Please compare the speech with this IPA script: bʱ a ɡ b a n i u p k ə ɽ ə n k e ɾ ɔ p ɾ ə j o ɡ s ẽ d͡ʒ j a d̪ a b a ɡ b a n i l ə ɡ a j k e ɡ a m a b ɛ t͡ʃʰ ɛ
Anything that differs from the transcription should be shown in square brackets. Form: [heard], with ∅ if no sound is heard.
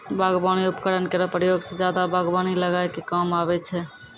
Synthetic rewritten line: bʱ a ɡ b a n i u p k ə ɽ ə n k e ɾ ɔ p ɾ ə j o ɡ s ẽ d͡ʒ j a d̪ a b a ɡ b a n i l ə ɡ a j k e [k] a m a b ɛ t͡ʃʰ ɛ

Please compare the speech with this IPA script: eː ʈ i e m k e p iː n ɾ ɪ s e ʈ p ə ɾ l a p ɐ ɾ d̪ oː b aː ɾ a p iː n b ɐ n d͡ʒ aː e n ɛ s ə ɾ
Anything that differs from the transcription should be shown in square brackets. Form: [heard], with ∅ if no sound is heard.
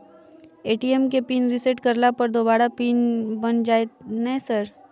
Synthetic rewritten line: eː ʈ i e m k e p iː n ɾ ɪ s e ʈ [k] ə ɾ l a p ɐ ɾ d̪ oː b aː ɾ a p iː n b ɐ n d͡ʒ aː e n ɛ s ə ɾ

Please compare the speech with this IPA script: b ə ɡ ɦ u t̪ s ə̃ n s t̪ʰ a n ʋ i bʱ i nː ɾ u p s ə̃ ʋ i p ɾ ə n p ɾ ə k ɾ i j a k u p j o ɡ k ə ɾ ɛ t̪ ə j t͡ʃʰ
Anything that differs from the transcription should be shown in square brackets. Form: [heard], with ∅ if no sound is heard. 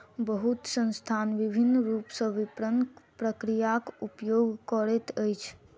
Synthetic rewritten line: b ə [∅] ɦ u t̪ s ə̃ n s t̪ʰ a n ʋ i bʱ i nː ɾ u p s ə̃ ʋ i p ɾ ə n p ɾ ə k ɾ i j a k u p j o ɡ k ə ɾ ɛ t̪ ə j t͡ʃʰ

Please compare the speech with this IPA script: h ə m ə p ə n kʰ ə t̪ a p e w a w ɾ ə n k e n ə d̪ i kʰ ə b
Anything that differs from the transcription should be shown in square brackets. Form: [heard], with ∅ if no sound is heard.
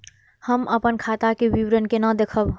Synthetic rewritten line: h ə m ə p ə n kʰ [a] t̪ a [k] e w [i] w ɾ ə n k e n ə d̪ [e] kʰ ə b

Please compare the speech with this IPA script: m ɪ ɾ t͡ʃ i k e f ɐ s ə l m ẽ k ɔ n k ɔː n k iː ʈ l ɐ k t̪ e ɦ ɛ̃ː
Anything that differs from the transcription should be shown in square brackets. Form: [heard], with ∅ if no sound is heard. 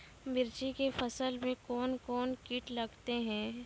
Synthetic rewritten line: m ɪ ɾ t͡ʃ i k e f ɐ s ə l m ẽ k [ɔː] n k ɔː n k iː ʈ l ɐ [ɡ] t̪ e ɦ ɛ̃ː

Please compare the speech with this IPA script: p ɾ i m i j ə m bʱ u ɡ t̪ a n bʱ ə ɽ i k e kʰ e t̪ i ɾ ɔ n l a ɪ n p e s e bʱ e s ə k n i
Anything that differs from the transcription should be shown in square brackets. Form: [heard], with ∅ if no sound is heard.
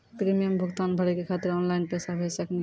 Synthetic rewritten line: p ɾ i m i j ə m bʱ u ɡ t̪ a n bʱ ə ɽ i k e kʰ [a] t̪ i ɾ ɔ n l a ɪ n p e s [a] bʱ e s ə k n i

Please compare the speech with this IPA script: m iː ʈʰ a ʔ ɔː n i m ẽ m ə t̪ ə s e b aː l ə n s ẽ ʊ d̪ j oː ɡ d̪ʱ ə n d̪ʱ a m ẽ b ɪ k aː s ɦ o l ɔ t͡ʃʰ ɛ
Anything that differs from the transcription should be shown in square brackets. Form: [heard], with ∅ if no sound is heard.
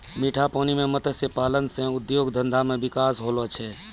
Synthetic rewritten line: m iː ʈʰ a [p] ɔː n i m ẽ m ə t̪ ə s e [p] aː l ə n s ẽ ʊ d̪ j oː ɡ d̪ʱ ə n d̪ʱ a m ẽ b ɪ k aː s ɦ o l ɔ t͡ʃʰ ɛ

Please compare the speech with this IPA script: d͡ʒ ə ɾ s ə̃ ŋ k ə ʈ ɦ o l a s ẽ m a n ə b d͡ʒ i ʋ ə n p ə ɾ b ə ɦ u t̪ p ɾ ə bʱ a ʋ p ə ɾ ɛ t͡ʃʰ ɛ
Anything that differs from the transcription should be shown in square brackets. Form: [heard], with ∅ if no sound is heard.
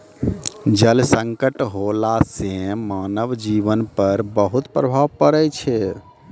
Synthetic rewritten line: d͡ʒ ə [l] s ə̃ ŋ k ə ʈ ɦ o l a s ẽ m a n ə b d͡ʒ i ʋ ə n p ə ɾ b ə ɦ u t̪ p ɾ ə bʱ a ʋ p ə ɾ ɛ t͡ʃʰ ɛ

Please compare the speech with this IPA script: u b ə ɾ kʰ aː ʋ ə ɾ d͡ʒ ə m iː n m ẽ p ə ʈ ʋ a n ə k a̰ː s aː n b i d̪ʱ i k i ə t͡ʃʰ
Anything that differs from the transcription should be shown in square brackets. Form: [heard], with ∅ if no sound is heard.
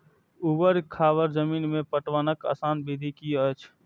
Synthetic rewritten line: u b ə ɾ kʰ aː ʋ ə ɾ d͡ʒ ə m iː n m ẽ p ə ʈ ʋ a n ə k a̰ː s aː n b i d̪ʱ i k i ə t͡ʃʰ

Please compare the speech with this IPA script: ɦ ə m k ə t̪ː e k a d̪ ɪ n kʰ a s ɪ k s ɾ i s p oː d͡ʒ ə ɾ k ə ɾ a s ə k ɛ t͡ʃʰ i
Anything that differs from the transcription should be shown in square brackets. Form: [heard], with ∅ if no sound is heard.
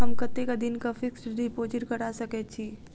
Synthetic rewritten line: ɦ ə m k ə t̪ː e k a d̪ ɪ n [k] a [f] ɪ k s ɾ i [∅] p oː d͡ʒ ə ɾ k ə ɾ a s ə k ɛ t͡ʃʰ i

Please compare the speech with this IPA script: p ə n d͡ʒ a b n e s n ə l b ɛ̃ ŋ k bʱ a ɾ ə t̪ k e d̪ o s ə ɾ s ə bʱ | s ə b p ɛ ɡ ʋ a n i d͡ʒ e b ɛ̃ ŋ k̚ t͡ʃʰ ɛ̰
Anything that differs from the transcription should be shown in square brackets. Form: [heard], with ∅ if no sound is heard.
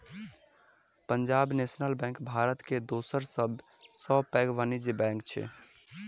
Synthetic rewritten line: p ə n d͡ʒ a b n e s n ə l b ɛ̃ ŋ k bʱ a ɾ ə t̪ k e d̪ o s ə ɾ s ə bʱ | s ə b p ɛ ɡ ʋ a n i d͡ʒ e b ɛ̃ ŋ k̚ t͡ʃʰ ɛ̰

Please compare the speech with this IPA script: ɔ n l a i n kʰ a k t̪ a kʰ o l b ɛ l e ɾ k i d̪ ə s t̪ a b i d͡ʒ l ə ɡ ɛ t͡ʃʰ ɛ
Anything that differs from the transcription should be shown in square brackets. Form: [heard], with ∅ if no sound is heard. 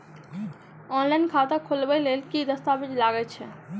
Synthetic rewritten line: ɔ n l a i n kʰ a [∅] t̪ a kʰ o l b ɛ l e [l] k i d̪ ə s t̪ a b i d͡ʒ l [a] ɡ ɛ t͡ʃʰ ɛ

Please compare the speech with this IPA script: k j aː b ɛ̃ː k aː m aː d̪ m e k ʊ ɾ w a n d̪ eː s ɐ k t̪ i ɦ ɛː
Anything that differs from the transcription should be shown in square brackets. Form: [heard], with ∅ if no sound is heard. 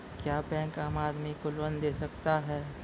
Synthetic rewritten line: k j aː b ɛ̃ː k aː m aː d̪ m [i] k ʊ [l] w [ə] n d̪ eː s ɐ k t̪ [a] ɦ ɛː

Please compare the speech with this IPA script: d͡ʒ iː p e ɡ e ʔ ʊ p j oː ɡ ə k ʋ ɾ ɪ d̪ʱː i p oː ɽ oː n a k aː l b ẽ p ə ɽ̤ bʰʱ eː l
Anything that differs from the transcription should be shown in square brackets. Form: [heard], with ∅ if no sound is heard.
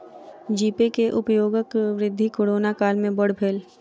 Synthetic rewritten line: d͡ʒ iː p e [k] e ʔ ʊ p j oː ɡ ə k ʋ ɾ ɪ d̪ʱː i [k] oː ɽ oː n a k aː l [m] ẽ [b] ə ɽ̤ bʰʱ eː l

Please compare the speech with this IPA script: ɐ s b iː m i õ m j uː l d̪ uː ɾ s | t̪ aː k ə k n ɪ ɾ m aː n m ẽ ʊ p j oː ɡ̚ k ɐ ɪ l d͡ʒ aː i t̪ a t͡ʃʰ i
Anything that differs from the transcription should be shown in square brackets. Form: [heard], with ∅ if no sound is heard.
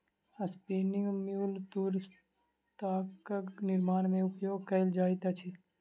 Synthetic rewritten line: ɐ s [p] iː [n] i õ m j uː l [t̪] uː ɾ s | t̪ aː k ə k n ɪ ɾ m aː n m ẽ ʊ p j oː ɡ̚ k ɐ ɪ l d͡ʒ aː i t̪ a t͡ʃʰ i

